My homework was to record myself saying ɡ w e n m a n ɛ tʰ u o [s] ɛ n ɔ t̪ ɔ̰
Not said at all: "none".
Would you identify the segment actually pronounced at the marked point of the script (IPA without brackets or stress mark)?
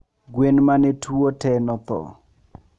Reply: t